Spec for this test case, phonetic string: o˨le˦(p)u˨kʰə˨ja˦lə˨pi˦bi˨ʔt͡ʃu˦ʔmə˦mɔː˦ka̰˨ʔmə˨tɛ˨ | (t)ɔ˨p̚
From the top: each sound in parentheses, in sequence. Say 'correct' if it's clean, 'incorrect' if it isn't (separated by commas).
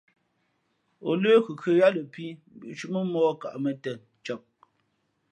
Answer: incorrect, incorrect